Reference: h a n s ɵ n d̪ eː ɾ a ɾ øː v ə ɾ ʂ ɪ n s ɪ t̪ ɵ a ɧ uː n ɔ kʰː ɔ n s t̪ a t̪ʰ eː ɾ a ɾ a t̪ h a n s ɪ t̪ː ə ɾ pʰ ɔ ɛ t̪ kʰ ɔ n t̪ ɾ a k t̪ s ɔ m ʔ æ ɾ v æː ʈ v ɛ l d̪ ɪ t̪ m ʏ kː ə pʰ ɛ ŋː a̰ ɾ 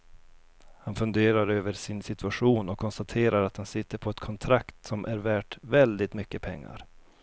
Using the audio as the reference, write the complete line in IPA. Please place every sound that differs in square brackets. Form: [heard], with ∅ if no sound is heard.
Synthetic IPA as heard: h a n [f] ɵ n d̪ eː ɾ a ɾ øː v ə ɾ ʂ ɪ n s ɪ t̪ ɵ a ɧ uː n ɔ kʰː ɔ n s t̪ a t̪ʰ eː ɾ a ɾ a t̪ h a n s ɪ t̪ː ə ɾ pʰ ɔ ɛ t̪ kʰ ɔ n [t̪ʰ] ɾ a k t̪ s ɔ m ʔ æ ɾ v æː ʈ v ɛ l d̪ ɪ t̪ m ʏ kː ə pʰ ɛ ŋː a̰ ɾ